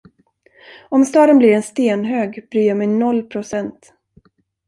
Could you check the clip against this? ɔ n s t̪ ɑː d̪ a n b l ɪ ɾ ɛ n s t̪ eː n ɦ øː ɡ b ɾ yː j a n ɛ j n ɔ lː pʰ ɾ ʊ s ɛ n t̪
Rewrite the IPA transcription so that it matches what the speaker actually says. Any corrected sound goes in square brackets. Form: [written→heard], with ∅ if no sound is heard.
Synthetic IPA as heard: ɔ [n→m] s t̪ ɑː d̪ [a→ə] n b l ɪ ɾ ɛ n s t̪ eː n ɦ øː ɡ b ɾ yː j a [n→m] ɛ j n ɔ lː pʰ ɾ ʊ s ɛ n t̪